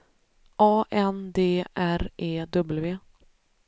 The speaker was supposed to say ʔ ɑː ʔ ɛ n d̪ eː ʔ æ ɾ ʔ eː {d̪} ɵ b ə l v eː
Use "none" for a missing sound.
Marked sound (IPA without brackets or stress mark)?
d̪